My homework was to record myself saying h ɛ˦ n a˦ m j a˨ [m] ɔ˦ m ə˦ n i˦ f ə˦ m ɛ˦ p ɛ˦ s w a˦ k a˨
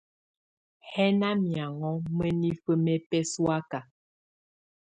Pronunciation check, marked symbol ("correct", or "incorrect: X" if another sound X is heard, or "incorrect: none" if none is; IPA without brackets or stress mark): incorrect: ŋ